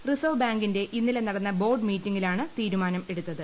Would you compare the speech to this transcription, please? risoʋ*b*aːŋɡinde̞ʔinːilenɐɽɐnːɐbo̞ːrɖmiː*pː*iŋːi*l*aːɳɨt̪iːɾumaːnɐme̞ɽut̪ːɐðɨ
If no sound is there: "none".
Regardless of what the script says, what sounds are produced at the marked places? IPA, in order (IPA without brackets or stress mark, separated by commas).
b, tː, l